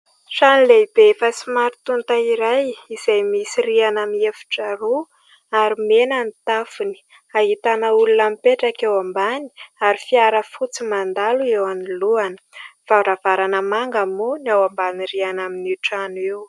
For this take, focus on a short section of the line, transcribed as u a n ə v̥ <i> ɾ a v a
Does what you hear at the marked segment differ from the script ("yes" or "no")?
yes